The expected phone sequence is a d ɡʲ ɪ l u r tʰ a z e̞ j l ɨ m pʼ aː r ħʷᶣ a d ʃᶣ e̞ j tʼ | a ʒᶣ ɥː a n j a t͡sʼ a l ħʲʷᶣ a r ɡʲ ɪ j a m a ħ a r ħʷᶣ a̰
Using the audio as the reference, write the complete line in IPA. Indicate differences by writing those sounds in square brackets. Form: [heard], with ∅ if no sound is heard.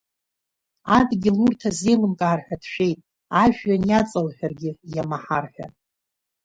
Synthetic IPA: a d ɡʲ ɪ l u r tʰ a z e̞ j l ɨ m [kʼ] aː r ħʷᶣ a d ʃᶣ e̞ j tʼ | a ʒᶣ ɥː a n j a t͡sʼ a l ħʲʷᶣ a r ɡʲ ɪ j a m a ħ a r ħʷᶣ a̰